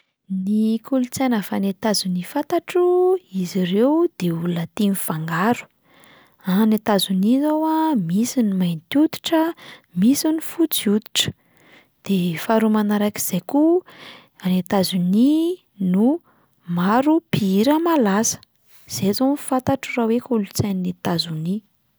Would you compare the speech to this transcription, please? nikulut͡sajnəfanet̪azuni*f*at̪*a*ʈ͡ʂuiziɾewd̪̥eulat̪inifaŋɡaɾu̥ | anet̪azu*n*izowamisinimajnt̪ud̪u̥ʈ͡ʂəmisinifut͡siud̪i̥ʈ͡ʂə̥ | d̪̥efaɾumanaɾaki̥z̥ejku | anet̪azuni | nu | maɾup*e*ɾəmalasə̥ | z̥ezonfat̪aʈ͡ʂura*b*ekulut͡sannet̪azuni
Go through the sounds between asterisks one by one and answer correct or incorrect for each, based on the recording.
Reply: correct, correct, correct, incorrect: i, incorrect: w

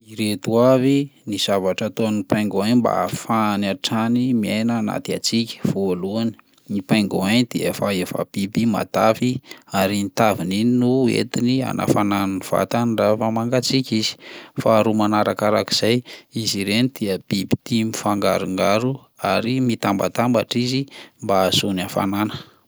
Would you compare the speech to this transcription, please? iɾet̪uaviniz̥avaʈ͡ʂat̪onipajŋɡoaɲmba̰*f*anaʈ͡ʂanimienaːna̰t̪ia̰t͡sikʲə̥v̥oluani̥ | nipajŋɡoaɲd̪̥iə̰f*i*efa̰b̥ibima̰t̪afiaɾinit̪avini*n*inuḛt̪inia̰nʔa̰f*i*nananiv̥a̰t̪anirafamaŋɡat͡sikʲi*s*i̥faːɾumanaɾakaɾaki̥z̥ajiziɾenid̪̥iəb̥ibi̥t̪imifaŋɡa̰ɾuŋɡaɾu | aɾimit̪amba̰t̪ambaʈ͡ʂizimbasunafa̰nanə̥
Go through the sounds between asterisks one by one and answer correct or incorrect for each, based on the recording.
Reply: correct, incorrect: a, correct, incorrect: a, incorrect: z

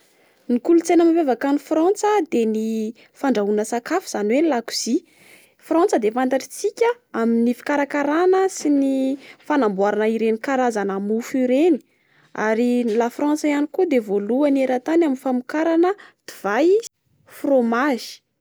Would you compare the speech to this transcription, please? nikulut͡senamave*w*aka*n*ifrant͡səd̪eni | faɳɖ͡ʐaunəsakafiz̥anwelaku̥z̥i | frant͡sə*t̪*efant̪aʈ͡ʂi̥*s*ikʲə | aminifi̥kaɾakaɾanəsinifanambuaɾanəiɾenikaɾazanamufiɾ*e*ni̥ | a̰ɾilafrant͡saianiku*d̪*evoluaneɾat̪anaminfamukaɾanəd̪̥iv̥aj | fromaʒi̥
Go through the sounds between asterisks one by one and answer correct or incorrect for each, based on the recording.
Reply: incorrect: v, correct, incorrect: d̪, incorrect: t͡s, correct, correct

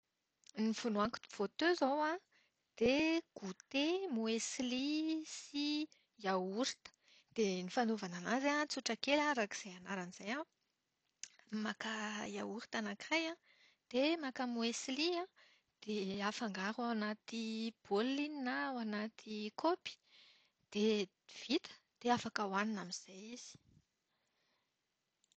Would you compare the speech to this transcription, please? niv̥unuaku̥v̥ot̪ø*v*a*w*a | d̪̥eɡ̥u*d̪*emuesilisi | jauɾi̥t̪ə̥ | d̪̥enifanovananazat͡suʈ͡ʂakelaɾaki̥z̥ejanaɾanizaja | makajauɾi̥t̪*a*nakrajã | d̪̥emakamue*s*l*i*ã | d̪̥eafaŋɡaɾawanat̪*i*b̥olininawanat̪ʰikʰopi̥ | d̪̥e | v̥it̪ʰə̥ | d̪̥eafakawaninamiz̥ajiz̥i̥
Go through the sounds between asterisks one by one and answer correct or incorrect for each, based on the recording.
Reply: incorrect: z, correct, incorrect: t̪, correct, correct, correct, correct

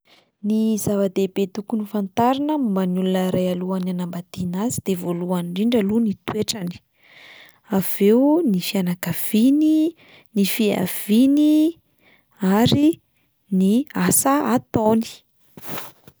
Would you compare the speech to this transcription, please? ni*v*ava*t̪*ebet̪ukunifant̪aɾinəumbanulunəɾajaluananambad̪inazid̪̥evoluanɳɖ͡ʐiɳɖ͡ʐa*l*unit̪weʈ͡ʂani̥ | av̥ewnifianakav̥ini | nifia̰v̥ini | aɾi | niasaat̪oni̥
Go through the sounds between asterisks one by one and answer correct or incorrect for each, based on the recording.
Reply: incorrect: z, incorrect: d̪, correct

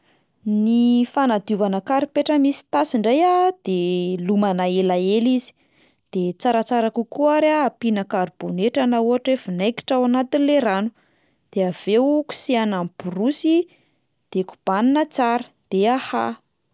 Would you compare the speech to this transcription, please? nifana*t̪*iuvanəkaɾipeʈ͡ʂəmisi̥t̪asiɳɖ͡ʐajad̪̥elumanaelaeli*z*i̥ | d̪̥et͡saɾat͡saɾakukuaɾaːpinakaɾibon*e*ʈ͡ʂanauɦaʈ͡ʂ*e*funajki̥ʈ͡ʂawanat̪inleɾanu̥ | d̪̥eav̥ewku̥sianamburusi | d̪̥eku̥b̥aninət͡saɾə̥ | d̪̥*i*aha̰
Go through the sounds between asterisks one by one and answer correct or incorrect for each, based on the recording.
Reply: incorrect: d̪, correct, correct, correct, incorrect: e

